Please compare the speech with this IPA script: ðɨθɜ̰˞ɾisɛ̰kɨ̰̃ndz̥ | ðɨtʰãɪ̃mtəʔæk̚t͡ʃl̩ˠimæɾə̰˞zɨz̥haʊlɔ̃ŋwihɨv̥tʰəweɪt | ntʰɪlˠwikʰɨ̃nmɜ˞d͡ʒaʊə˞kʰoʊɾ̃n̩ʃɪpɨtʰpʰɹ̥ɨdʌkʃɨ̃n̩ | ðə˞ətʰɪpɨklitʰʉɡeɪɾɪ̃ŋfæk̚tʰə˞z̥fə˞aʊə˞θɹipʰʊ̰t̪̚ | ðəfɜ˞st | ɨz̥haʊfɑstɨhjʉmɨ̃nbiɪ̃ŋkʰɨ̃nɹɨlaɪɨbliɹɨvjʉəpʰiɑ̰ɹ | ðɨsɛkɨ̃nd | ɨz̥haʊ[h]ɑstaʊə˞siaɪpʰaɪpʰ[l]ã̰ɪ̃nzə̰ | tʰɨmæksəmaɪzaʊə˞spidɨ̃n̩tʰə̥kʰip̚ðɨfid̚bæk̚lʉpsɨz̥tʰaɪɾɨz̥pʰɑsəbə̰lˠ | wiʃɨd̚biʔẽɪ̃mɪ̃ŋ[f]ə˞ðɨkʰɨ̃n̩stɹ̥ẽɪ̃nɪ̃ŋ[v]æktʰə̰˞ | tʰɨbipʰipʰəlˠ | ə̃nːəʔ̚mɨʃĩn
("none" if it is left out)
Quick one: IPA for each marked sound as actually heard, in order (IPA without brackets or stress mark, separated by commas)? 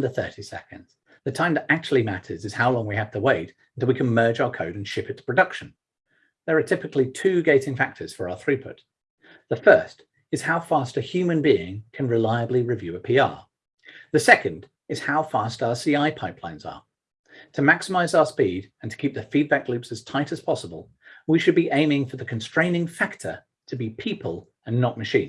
f, l, f, f